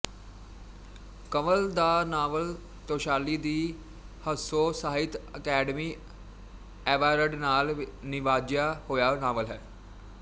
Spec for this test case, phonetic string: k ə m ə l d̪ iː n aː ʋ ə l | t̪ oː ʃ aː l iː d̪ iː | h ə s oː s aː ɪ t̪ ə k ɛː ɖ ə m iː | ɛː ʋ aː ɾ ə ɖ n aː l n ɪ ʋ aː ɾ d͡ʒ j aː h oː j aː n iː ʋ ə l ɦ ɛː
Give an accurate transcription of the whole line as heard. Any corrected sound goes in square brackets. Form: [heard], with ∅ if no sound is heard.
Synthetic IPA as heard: k ə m ə l d̪ [aː] n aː ʋ ə l | t̪ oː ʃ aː l iː d̪ iː | h ə s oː s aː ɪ t̪ ə k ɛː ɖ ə m iː | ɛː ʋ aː ɾ ə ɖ n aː l n ɪ ʋ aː [∅] d͡ʒ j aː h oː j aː n [aː] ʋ ə l ɦ ɛː

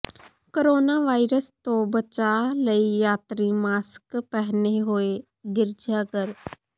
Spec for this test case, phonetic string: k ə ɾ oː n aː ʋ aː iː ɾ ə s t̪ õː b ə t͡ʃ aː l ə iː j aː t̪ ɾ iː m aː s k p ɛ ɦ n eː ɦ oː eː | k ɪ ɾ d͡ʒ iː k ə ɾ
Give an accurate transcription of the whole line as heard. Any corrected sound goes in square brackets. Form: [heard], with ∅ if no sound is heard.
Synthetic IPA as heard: k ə ɾ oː n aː ʋ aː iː ɾ ə s t̪ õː b ə t͡ʃ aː l ə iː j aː t̪ ɾ iː m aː s k p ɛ ɦ n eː ɦ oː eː | [ɡ] ɪ ɾ d͡ʒ [aː] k ə ɾ

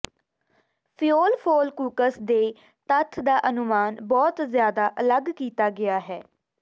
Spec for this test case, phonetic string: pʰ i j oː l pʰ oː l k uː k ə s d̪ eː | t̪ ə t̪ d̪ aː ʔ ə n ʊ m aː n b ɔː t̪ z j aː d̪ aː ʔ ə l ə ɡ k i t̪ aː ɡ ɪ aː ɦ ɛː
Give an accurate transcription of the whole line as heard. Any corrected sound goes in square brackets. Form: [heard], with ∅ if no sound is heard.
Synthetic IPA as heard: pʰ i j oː l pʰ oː l k uː k ə s d̪ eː | t̪ ə [t̪ʰ] d̪ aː ʔ ə n ʊ m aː n b ɔː t̪ z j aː d̪ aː ʔ ə l ə ɡ k [iː] t̪ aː ɡ ɪ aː ɦ ɛː

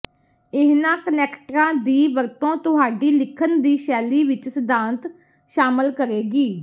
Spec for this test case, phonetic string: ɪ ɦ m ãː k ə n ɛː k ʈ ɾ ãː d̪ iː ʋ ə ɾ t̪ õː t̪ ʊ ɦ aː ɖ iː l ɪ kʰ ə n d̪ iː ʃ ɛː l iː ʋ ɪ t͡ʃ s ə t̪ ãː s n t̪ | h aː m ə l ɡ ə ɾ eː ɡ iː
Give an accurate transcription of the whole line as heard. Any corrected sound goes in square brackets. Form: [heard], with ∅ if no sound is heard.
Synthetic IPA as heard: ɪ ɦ [n] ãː k ə n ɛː k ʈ ɾ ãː d̪ iː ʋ ə ɾ t̪ õː t̪ ʊ ɦ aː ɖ iː l ɪ kʰ ə n d̪ iː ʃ ɛː l iː ʋ ɪ t͡ʃ s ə [d̪] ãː [∅] n t̪ | [ʃ] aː m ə l [k] ə ɾ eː ɡ iː

